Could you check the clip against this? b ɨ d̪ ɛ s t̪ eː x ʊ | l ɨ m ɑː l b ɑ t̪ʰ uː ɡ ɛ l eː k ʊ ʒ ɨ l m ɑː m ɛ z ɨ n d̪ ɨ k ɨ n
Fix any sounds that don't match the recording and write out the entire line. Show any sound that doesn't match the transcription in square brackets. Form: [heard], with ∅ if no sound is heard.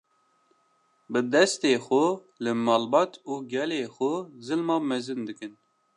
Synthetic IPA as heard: b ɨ d̪ ɛ s t̪ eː x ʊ | l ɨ m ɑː l b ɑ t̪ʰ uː ɡ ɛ l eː [x] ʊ [z] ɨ l m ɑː m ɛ z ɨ n d̪ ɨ k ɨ n